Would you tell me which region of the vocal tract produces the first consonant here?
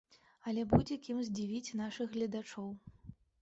tongue tip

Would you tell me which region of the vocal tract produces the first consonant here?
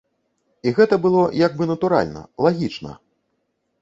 velum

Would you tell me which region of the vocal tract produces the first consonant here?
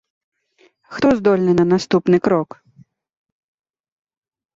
velum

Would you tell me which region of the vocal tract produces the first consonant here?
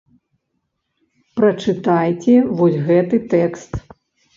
lips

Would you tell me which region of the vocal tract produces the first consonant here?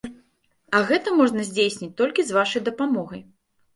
velum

